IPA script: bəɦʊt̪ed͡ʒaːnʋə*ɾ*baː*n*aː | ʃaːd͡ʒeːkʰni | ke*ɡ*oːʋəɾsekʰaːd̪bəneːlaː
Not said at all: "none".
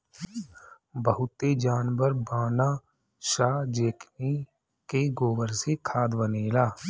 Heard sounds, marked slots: ɾ, n, ɡ

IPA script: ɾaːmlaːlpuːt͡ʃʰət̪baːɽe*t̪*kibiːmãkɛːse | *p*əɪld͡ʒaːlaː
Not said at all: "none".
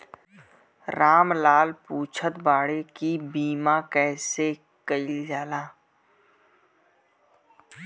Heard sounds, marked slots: none, k

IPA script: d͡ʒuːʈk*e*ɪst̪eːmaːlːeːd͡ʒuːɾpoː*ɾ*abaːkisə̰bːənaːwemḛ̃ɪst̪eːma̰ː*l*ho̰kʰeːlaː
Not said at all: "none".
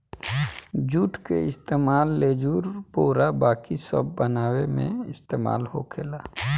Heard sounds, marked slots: e, ɾ, l

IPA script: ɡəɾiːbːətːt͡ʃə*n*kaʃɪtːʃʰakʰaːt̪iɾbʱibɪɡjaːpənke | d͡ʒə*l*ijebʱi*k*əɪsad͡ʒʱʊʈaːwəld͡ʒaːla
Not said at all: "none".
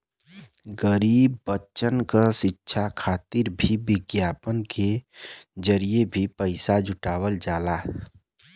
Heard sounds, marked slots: n, ɾ, p

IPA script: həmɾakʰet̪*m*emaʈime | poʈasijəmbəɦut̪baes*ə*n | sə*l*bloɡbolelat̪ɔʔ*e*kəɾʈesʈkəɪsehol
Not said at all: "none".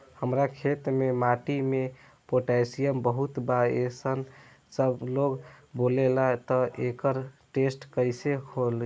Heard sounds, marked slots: m, ə, none, e

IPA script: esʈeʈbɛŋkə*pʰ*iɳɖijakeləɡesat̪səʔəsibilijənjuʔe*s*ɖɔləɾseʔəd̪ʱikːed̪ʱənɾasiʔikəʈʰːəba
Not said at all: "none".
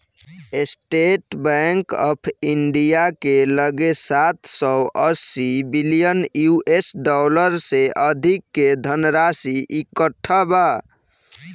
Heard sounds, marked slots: pʰ, s

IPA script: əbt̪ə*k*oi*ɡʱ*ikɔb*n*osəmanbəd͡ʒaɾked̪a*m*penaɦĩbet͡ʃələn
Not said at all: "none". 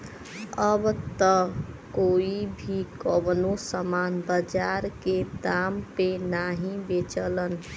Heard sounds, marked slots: k, bʱ, n, m

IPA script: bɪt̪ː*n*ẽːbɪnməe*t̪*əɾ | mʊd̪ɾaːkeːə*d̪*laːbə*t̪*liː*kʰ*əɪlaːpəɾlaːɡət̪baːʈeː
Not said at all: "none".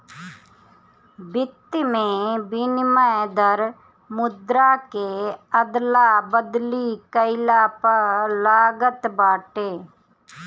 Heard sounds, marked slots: m, d̪, d̪, d̪, k

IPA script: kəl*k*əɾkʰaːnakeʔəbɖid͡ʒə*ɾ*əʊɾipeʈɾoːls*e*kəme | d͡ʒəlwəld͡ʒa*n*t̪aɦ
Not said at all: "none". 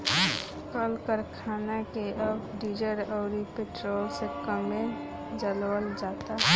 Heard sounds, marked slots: k, ɾ, e, none

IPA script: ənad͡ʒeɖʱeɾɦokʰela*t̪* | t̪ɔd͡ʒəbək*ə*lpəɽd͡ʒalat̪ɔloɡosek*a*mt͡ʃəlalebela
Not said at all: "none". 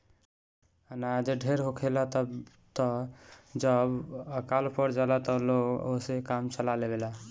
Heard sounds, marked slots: t̪, a, a

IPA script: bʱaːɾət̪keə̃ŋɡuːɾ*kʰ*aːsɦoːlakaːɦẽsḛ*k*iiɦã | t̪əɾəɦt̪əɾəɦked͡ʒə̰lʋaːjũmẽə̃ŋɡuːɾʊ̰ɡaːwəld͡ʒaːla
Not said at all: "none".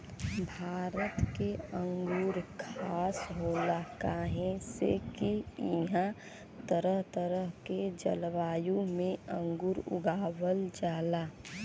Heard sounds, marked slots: kʰ, k

